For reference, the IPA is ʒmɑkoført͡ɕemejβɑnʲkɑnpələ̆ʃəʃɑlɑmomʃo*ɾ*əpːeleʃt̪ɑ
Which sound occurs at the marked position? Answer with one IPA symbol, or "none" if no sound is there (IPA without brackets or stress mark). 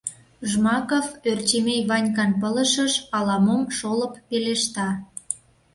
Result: l